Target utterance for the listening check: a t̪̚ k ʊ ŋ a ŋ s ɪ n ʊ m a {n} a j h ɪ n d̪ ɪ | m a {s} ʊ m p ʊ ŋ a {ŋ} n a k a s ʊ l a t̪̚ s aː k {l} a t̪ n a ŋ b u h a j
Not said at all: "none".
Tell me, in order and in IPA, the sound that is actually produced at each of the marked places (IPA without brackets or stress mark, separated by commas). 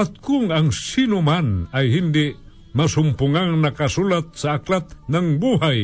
n, s, ŋ, l